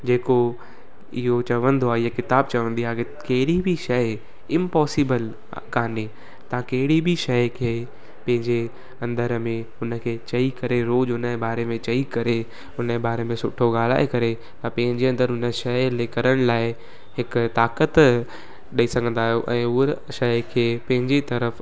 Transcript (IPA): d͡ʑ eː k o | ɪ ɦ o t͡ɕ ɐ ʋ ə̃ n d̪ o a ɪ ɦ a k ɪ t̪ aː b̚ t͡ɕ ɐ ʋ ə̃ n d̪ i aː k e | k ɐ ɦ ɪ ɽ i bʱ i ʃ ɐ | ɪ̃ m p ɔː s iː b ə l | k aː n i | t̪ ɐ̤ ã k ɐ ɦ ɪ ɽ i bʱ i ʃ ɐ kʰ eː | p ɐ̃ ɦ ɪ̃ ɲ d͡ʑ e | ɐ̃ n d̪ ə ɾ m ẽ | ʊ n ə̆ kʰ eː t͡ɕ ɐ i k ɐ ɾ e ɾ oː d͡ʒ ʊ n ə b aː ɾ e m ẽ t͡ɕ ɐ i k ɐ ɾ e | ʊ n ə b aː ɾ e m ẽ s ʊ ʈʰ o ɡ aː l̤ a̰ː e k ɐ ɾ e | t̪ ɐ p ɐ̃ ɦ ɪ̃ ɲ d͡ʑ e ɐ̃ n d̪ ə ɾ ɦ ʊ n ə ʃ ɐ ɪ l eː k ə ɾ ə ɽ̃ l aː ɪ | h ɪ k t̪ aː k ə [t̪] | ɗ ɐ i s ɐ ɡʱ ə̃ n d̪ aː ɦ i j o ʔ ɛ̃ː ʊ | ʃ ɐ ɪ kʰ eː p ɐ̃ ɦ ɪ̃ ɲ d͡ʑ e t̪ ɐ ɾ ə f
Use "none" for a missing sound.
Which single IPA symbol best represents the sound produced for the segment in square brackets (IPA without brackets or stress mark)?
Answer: t̪